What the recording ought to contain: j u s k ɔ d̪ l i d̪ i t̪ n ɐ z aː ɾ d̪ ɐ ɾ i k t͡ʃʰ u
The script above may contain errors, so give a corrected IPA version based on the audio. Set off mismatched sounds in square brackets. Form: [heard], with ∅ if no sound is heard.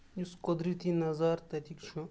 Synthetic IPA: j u s k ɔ d̪ [ɾ] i [t̪] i [∅] n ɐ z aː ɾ [t̪] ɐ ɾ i k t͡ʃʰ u